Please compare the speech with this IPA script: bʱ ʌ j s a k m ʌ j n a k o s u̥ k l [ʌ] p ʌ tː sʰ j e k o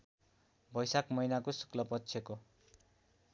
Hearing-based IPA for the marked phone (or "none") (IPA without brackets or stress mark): ʌ